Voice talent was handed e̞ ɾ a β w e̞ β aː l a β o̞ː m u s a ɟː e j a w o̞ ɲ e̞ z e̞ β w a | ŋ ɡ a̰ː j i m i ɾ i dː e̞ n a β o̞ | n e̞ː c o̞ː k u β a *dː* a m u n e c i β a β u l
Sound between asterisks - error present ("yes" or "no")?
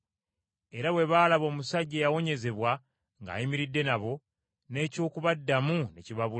no